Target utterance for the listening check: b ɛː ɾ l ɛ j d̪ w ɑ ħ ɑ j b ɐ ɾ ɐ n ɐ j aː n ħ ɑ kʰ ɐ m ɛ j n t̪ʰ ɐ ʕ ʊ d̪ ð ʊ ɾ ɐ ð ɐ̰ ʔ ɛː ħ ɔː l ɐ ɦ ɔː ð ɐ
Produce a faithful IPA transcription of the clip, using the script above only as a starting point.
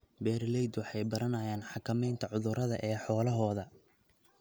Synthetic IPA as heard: b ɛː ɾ l ɛ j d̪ w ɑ ħ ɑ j b ɐ ɾ ɐ n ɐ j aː n ħ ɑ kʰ ɐ m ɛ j n t̪ʰ ɐ ʕ ʊ ð ʊ ɾ ɐ ð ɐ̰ ʔ ɛː ħ ɔː l ɐ ɦ ɔː ð ɐ